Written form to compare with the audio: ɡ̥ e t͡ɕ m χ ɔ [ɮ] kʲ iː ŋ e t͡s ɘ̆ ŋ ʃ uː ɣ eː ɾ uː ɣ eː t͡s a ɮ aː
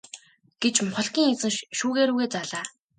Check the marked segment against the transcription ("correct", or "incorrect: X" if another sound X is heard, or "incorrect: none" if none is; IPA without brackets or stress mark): correct